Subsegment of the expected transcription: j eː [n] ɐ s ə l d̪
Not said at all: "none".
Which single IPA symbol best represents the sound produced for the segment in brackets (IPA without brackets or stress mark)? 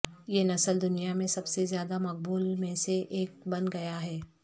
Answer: n